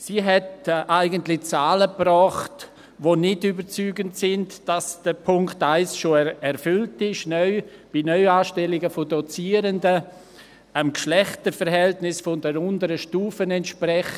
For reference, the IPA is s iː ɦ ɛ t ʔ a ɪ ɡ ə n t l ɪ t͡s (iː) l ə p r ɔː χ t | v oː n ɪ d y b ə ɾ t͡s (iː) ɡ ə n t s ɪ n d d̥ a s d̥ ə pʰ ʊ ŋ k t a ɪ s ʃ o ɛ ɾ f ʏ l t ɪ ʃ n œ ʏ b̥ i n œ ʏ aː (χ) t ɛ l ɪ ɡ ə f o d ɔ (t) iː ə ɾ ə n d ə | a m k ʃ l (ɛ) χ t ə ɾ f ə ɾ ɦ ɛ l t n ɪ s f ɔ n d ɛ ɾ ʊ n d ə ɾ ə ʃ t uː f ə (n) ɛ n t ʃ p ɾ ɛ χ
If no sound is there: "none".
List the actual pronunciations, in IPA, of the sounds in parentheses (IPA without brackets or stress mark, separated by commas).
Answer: aː, yː, ʃ, t͡s, ɛ, n